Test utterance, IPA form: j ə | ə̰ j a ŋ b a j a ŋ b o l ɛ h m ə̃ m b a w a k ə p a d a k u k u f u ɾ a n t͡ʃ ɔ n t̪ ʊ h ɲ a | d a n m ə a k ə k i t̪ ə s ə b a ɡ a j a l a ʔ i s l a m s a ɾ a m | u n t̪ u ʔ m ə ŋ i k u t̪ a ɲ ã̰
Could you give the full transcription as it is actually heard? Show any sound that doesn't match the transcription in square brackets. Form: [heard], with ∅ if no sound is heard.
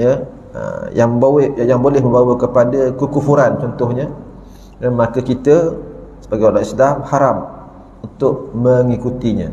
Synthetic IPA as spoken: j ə | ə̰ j a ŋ b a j a ŋ b o l ɛ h m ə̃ m b a w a k ə p a d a k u k u f u ɾ a n t͡ʃ ɔ n t̪ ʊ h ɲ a | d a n m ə a k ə k i t̪ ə s ə b a ɡ a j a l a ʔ i s l a m [h] a ɾ a m | u n t̪ [ʊ] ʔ m ə ŋ i k u t̪ [i] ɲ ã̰